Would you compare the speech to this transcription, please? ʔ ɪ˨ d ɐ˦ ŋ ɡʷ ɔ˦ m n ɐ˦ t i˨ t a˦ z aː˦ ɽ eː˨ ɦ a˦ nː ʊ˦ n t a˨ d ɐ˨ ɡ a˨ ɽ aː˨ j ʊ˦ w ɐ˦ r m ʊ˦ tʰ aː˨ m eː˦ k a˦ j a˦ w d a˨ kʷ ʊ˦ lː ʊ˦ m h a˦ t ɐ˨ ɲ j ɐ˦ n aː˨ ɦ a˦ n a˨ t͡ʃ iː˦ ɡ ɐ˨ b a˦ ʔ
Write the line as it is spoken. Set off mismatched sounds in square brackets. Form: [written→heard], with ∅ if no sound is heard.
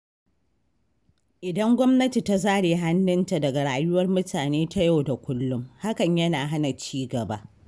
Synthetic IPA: ʔ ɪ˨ d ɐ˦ ŋ ɡʷ ɔ˦ m n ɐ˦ t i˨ t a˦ z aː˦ ɽ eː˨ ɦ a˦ nː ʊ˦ n t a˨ d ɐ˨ ɡ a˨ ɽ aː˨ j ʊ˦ w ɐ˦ r m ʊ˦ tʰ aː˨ [m→n] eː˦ [k→t] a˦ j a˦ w d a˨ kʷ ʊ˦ lː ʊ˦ m h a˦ [t→k] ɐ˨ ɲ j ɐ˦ n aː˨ ɦ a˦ n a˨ t͡ʃ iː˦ ɡ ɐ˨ b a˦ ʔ